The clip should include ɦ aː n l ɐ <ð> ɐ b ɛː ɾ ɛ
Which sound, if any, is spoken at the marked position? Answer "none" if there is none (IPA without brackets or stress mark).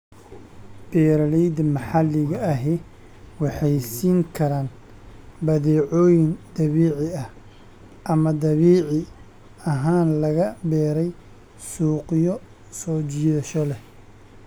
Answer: ɣ